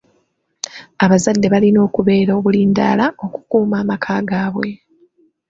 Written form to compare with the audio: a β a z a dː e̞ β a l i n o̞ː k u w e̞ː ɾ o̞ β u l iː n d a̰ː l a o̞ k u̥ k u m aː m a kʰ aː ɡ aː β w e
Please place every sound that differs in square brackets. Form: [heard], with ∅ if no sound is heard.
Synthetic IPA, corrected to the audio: a β a z a dː e̞ β a l i n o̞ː k u [β] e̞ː ɾ o̞ β u l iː n d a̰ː l a o̞ k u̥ k [uː] m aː m a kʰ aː ɡ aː β w e